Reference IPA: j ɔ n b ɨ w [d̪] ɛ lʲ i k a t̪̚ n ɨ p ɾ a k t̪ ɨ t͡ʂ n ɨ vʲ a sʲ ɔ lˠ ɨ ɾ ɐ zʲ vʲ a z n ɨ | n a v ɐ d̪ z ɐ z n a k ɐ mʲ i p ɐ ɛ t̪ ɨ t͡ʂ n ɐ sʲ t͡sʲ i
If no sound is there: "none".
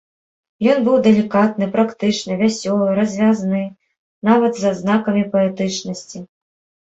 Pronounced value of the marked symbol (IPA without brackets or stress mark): d̪